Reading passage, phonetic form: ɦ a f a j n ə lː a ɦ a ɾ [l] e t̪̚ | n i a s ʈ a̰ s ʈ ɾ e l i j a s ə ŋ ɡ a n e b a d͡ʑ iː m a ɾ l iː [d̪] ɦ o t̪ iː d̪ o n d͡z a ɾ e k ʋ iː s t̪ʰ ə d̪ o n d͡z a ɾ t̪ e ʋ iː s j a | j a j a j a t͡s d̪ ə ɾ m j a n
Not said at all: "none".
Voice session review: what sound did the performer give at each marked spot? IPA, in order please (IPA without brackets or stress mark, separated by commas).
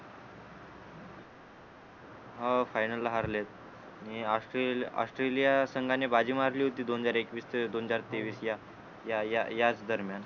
l, none